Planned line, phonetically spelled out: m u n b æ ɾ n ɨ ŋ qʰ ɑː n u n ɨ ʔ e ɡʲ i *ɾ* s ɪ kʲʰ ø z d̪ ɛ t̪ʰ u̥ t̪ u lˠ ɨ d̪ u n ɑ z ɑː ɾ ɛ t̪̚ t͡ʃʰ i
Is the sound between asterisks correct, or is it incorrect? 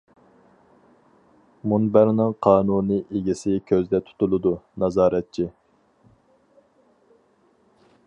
incorrect